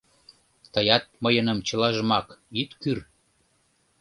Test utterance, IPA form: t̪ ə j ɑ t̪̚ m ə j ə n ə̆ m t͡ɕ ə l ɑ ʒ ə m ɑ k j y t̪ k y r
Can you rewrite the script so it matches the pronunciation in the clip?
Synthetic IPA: t̪ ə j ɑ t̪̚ m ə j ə n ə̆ m t͡ɕ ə l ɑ ʒ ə m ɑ k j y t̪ k y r